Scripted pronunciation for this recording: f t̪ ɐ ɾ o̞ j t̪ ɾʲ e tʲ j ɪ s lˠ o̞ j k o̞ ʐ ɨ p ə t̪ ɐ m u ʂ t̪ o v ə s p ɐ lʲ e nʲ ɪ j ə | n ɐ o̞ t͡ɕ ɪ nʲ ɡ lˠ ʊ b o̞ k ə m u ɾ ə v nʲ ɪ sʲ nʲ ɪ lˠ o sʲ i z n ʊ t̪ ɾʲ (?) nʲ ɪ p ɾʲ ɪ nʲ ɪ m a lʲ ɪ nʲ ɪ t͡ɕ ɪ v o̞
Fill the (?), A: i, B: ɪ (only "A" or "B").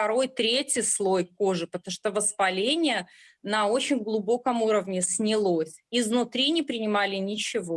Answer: A